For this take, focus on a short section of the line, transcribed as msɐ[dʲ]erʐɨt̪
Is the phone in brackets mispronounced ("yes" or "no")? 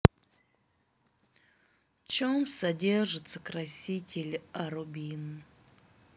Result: no